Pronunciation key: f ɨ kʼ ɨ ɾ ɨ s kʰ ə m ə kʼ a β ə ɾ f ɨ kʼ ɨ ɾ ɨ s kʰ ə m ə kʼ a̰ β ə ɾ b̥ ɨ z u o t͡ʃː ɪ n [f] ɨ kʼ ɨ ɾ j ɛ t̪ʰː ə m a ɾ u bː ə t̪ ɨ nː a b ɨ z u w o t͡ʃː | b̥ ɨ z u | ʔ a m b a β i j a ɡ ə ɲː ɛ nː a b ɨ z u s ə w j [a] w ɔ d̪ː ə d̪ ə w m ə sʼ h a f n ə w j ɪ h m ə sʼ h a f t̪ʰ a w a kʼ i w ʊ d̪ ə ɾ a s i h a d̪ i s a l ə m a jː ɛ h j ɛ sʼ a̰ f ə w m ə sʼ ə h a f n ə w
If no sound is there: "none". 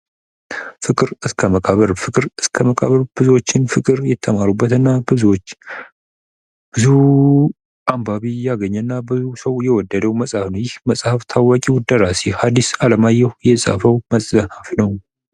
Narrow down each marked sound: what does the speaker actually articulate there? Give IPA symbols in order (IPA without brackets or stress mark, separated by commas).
f, ɛ